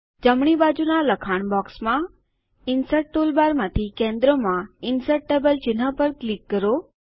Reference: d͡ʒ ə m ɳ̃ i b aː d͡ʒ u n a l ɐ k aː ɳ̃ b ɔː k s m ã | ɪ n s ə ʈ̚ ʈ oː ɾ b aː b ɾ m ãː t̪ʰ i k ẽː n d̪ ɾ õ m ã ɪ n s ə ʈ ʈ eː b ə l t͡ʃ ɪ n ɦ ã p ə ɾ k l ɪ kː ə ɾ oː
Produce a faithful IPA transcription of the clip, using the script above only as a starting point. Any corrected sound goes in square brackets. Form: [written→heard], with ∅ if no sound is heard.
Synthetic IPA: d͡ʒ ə m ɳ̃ i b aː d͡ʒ u n a l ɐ [k→kʰ] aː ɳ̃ b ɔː k s m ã | ɪ n s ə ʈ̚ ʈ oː [ɾ→l] b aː [b→∅] ɾ m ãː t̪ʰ i k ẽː n d̪ ɾ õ m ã ɪ n s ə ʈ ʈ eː b ə l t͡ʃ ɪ n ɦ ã p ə ɾ k l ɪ kː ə ɾ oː